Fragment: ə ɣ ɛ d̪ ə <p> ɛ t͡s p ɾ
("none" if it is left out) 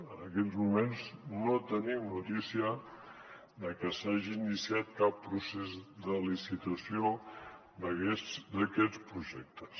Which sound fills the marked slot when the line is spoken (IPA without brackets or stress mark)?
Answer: k